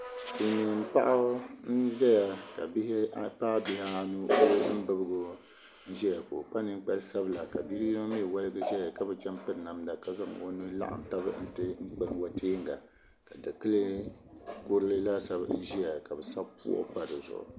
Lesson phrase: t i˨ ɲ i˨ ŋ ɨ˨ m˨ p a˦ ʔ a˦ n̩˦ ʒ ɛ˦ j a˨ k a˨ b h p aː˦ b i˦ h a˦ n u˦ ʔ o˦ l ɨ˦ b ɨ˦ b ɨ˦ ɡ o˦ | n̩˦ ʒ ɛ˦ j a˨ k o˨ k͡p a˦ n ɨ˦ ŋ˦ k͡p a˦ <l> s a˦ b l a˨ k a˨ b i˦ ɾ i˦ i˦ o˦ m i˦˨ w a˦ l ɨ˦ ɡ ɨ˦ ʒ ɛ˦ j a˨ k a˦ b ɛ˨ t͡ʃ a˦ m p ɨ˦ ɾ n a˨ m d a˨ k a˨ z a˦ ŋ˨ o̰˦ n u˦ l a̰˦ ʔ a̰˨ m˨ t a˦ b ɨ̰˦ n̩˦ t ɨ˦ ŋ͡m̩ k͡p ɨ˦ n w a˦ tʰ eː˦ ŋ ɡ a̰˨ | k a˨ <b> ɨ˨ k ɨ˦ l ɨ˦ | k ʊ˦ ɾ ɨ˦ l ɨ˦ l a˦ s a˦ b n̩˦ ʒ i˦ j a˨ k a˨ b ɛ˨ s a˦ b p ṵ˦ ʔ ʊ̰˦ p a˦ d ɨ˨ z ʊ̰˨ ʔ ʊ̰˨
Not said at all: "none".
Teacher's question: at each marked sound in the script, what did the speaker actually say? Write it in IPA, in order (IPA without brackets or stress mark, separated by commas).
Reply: l, d